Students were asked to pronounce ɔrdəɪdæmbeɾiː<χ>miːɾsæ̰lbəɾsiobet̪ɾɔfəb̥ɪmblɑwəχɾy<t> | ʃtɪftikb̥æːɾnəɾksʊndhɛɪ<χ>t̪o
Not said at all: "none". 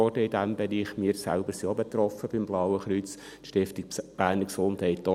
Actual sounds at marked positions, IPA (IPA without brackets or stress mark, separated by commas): χ, t͡s, none